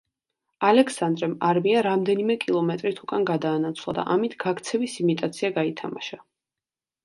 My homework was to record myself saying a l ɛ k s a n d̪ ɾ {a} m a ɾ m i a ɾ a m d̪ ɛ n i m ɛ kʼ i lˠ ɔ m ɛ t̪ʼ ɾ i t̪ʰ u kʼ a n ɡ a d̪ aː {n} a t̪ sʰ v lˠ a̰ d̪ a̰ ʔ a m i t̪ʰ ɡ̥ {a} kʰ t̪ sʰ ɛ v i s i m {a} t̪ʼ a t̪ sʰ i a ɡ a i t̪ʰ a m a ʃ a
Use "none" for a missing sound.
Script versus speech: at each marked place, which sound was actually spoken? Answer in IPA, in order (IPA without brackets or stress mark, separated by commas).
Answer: ɛ, n, a, i